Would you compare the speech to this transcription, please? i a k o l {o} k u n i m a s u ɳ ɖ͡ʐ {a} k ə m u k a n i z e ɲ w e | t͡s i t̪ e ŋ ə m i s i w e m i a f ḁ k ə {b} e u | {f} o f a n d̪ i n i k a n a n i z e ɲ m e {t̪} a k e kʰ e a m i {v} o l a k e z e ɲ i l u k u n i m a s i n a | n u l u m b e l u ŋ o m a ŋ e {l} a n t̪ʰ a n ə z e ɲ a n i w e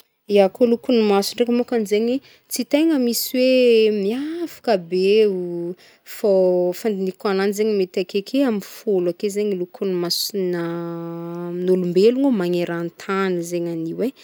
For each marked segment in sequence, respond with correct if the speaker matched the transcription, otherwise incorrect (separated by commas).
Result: incorrect, incorrect, correct, correct, correct, incorrect, incorrect